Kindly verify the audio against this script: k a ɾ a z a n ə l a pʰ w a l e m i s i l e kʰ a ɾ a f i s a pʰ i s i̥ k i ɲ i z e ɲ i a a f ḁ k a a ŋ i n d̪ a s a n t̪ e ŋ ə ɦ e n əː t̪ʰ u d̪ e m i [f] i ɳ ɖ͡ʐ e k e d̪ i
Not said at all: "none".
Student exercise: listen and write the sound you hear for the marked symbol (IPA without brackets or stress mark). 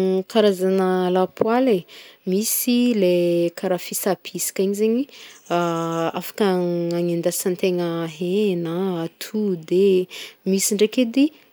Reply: s